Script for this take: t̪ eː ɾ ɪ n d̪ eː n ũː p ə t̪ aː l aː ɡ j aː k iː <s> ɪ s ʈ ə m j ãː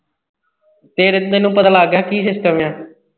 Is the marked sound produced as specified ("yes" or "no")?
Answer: yes